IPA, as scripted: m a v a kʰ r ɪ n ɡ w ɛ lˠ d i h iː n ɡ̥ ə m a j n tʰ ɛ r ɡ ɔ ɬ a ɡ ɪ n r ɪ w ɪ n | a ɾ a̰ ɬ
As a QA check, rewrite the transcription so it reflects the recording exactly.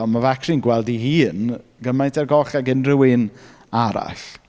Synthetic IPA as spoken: m a v a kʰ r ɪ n ɡ w ɛ lˠ d i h iː n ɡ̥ ə m a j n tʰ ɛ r ɡ ɔ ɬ a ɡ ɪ n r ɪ w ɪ n | a ɾ a̰ ɬ